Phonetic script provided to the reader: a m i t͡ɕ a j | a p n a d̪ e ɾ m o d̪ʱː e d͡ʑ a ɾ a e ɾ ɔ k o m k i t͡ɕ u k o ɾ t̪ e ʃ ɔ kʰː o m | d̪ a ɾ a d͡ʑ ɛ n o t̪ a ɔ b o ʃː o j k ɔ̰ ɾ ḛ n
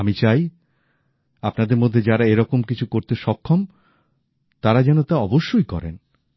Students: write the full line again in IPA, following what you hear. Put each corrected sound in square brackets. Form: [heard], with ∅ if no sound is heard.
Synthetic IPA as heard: a m i t͡ɕ a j | a p n a d̪ e ɾ m o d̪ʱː e d͡ʑ a ɾ a e ɾ ɔ k o m k i [t͡ɕʰ] u k o ɾ t̪ e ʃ ɔ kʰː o m | [t̪] a ɾ a d͡ʑ ɛ n o t̪ a ɔ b o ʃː o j k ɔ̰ ɾ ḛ n